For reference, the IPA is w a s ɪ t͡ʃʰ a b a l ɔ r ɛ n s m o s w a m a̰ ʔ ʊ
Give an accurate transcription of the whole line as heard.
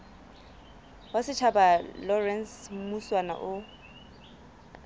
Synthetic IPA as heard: w a s ɪ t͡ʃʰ a b a l ɔ r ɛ n s m u s w a n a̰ ʔ ʊ